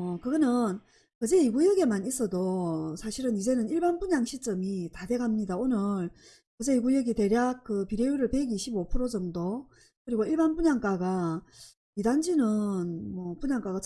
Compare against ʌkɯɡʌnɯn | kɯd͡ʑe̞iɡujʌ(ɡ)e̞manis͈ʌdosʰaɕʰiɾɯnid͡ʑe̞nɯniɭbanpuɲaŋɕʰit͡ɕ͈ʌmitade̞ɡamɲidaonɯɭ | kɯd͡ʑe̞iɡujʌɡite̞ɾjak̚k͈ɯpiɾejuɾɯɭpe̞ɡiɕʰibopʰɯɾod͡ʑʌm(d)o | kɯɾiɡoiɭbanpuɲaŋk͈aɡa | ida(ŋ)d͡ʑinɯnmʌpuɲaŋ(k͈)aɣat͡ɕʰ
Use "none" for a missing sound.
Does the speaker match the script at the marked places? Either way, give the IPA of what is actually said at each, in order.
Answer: ɡ, d, n, k͈

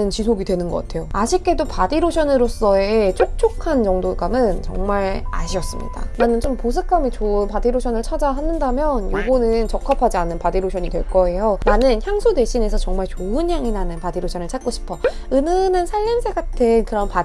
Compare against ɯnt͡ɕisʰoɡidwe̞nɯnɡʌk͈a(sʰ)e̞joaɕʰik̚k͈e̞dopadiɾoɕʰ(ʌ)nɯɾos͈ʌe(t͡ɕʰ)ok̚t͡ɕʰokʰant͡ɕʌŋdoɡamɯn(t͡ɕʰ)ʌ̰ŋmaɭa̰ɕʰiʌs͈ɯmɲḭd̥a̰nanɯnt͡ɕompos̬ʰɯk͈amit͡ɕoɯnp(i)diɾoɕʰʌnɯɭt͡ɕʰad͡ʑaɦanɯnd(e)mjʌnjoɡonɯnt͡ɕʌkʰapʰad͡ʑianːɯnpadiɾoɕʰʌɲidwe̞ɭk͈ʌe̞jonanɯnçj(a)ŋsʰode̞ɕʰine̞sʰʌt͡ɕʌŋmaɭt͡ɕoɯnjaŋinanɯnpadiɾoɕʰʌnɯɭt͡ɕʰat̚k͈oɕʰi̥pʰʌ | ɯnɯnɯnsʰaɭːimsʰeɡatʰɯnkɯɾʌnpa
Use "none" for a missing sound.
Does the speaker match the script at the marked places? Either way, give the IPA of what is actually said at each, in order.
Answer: tʰ, ʌ, t͡ɕʰ, t͡ɕ, a, a, a

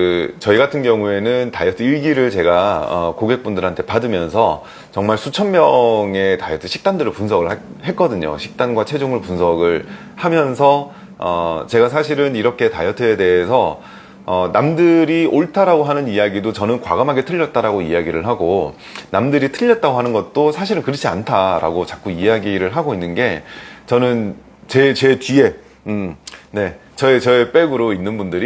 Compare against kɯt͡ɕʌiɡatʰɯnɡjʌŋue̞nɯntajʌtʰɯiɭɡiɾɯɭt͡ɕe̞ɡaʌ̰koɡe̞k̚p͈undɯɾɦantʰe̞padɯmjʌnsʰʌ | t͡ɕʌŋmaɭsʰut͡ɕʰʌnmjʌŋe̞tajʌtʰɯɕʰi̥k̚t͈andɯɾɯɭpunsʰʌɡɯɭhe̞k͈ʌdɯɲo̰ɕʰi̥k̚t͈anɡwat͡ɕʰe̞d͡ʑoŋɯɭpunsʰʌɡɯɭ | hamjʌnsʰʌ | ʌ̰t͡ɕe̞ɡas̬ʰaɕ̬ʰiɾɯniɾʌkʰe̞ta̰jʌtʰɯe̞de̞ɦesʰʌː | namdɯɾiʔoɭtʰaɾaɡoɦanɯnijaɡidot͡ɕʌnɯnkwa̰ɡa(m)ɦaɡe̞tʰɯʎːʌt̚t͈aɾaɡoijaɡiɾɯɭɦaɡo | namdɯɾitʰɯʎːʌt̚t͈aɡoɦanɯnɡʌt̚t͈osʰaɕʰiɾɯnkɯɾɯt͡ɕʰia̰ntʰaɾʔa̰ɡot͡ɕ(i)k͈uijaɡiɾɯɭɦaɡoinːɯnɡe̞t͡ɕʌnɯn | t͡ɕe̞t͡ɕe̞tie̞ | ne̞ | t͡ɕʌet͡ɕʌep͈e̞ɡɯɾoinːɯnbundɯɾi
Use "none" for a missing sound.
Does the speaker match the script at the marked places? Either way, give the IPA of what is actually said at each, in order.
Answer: m, a

